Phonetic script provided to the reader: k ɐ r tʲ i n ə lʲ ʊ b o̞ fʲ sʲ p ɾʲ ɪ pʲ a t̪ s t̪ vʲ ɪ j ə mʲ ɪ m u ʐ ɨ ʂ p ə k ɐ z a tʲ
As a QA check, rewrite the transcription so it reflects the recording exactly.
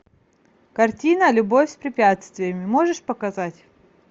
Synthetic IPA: k ɐ r tʲ i n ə lʲ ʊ b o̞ fʲ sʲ p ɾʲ ɪ pʲ a t̪ s t̪ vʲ ɪ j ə mʲ ɪ m o ʐ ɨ ʂ p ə k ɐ z a tʲ